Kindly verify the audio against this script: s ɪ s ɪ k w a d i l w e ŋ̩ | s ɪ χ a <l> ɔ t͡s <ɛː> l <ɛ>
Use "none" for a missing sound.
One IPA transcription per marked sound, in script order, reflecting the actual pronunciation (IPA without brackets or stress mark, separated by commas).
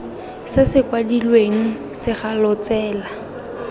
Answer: l, ɛː, a